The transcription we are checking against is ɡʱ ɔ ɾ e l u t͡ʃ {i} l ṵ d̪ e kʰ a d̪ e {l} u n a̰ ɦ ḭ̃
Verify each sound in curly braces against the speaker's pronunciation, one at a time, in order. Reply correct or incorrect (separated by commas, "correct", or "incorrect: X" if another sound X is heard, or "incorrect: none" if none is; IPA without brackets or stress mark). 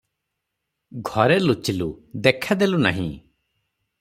correct, correct